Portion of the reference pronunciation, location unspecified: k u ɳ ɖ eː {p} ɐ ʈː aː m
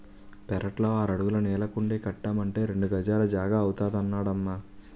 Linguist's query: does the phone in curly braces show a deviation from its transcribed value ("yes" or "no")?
yes